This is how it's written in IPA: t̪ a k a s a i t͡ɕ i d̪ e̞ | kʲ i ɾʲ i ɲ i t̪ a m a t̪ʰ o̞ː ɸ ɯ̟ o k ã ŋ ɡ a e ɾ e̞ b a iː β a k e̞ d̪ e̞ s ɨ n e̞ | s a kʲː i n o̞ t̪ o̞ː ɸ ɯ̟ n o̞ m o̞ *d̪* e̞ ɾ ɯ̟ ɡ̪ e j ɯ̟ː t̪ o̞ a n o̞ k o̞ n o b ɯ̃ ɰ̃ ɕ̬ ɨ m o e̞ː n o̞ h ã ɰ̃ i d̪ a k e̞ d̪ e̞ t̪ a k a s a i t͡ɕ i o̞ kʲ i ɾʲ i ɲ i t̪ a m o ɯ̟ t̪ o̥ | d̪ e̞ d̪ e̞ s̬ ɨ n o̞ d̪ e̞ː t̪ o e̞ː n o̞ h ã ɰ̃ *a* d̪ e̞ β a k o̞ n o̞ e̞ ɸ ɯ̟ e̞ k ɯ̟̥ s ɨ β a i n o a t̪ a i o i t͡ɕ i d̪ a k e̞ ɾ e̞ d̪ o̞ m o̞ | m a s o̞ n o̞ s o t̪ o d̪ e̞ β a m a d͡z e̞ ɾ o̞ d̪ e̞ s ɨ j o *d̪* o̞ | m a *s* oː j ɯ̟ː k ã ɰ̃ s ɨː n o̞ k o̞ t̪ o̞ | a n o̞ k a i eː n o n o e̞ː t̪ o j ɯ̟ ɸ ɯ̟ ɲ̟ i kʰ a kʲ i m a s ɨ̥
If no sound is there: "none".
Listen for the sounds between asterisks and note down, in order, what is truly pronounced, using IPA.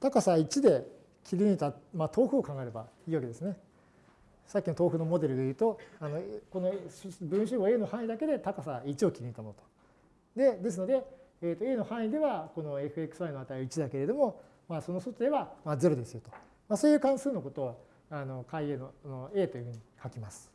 d̪, i, t̪, s

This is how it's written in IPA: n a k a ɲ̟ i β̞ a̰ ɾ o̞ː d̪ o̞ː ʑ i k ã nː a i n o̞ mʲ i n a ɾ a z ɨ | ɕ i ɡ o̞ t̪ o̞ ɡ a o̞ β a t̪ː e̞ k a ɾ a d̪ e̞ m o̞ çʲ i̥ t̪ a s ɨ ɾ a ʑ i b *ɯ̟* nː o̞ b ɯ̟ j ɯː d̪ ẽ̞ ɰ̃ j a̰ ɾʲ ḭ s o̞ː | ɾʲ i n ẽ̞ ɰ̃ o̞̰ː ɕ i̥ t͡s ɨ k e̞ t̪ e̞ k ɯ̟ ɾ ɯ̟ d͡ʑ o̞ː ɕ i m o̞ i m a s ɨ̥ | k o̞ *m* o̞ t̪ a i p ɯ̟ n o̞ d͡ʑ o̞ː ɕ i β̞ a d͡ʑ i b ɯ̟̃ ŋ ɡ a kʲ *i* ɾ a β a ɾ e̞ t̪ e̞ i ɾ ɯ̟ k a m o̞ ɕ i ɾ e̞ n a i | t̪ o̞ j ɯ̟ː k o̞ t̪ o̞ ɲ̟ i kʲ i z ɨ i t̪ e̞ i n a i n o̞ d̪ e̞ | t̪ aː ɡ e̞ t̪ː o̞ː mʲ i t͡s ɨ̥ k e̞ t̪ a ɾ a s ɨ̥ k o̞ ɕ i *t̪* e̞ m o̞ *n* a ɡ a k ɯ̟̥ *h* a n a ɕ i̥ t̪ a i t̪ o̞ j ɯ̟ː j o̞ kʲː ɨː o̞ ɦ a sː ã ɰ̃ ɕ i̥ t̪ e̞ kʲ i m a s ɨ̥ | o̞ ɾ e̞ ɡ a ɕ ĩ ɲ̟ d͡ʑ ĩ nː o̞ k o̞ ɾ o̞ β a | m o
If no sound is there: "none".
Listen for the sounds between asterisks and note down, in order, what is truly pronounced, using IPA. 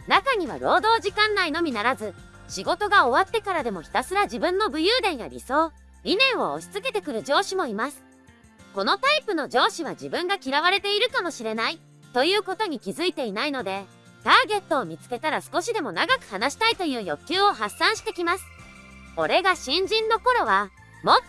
ɯ̟̃, n, i, d̪, n, h

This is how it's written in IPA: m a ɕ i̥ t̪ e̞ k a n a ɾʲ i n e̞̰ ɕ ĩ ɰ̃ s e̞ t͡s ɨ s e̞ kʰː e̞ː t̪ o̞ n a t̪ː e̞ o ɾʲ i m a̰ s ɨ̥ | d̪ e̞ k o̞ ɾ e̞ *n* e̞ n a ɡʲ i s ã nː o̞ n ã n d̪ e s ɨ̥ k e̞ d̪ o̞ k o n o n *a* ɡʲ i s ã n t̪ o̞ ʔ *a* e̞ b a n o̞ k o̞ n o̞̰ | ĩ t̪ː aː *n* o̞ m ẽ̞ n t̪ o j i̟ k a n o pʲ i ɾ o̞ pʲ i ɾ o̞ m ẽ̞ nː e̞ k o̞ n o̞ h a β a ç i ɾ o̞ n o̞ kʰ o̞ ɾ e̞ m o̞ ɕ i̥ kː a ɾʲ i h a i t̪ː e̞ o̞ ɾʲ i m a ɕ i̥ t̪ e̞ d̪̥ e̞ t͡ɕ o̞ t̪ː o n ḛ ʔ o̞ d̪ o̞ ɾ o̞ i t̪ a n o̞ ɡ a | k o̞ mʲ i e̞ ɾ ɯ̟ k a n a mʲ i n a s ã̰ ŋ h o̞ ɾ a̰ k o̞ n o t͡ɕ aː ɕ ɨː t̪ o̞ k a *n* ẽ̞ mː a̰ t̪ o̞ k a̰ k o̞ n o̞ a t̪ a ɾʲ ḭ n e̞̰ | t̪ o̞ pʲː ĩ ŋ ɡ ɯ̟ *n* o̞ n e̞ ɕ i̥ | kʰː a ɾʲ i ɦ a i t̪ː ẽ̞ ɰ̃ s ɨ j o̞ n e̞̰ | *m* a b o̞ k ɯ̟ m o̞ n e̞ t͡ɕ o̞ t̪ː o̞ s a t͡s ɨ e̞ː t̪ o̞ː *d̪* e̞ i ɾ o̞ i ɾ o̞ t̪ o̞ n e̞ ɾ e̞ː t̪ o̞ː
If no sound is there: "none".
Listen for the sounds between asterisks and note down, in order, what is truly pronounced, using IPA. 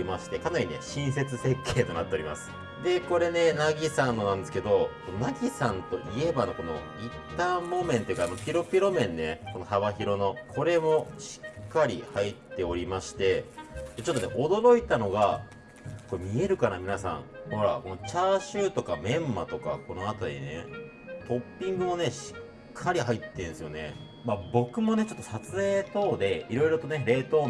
n, a, i, m, m, m, m, d̪

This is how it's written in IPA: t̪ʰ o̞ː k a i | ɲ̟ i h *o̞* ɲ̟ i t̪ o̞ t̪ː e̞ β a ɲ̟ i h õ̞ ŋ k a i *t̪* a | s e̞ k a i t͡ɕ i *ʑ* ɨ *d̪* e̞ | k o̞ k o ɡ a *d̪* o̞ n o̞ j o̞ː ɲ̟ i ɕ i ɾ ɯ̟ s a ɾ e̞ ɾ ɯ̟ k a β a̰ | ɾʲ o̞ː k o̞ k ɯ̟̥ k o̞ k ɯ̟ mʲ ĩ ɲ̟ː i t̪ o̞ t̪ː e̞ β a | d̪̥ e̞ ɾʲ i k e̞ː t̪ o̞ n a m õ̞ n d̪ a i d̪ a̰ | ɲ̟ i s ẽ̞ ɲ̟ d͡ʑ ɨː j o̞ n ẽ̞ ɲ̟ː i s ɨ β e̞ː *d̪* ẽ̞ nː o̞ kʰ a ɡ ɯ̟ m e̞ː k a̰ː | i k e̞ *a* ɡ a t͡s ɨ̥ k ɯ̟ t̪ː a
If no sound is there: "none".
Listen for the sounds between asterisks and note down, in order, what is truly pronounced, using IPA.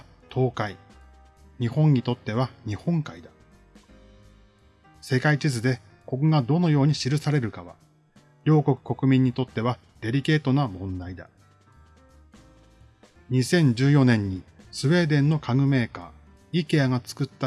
õ̞, d̪, z, d̪, d̪, d̪, a

